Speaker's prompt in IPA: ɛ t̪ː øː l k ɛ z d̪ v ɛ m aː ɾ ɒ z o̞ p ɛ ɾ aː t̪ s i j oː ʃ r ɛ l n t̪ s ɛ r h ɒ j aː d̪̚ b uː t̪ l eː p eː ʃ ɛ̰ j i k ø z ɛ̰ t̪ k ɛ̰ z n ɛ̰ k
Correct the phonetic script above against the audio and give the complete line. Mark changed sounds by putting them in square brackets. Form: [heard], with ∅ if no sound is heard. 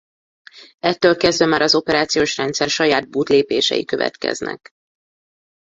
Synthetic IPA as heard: ɛ t̪ː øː l k ɛ z d̪ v ɛ m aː ɾ ɒ z o̞ p ɛ ɾ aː t̪ s i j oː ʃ r ɛ [∅] n t̪ s ɛ r [ʃ] ɒ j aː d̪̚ b uː t̪ l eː p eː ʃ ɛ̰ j i k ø [v] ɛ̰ t̪ k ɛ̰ z n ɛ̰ k